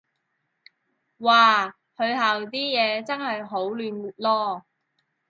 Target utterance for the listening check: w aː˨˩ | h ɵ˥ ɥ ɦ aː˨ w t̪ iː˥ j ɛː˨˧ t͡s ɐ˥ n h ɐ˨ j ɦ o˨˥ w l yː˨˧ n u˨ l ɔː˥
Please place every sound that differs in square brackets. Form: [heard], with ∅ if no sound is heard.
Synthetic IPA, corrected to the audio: w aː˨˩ | h [ɵ˨˧] ɥ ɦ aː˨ w t̪ iː˥ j ɛː˨˧ t͡s ɐ˥ n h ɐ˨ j ɦ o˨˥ w l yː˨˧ n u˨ l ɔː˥